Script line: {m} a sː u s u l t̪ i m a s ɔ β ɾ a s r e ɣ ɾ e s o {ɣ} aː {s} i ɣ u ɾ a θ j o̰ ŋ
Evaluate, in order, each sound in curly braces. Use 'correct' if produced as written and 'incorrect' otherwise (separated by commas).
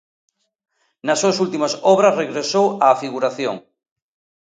incorrect, incorrect, incorrect